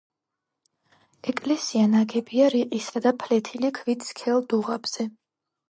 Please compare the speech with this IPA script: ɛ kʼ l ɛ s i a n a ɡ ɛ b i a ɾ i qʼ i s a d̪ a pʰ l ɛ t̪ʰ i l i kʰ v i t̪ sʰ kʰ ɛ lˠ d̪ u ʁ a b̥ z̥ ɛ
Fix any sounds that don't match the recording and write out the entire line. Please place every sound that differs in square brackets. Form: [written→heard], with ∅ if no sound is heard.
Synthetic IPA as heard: ɛ kʼ l ɛ s i a n a ɡ ɛ b i a ɾ i qʼ i s a d̪ a pʰ l ɛ t̪ʰ i l i kʰ v i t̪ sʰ kʰ ɛ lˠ d̪ u ʁ a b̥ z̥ ɛ